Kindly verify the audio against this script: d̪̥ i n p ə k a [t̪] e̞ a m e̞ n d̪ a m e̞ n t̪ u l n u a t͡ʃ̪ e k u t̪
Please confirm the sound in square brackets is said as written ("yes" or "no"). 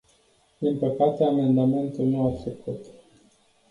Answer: yes